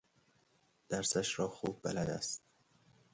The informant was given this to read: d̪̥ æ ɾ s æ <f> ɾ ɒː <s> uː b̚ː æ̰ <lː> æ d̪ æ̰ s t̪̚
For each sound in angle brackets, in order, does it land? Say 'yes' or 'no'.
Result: no, no, no

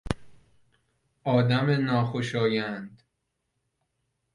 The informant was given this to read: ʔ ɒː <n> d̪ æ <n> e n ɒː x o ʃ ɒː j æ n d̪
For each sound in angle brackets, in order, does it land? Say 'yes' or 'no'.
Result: no, no

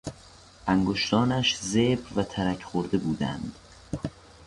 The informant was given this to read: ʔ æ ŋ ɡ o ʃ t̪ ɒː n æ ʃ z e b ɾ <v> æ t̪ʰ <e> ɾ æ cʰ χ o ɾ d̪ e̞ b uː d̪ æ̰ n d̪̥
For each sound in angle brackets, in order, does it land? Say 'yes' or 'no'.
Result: yes, no

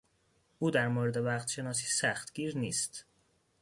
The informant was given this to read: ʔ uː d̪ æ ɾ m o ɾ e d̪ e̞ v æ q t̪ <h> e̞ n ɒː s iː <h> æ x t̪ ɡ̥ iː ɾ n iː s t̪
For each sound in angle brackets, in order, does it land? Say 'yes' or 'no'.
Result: no, no

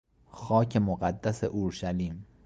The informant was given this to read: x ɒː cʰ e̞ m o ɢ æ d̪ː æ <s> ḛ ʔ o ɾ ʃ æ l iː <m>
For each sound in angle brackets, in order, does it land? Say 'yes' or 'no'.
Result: yes, yes

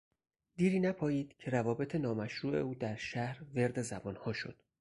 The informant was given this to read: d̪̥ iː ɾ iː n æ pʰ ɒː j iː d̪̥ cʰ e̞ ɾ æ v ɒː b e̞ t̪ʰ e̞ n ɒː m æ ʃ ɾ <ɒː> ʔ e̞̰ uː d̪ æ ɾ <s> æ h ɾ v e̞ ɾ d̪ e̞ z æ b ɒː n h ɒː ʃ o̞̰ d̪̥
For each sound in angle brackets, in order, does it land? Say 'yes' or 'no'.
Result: no, no

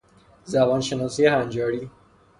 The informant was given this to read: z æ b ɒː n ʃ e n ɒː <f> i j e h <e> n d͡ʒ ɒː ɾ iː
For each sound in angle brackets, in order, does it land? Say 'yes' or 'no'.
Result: no, no

